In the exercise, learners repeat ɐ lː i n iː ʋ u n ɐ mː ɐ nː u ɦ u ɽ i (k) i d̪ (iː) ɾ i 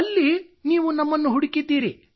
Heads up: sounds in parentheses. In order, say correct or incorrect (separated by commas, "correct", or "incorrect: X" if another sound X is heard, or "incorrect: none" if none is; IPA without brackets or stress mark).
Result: correct, correct